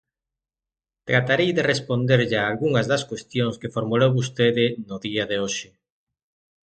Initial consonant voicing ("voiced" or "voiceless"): voiceless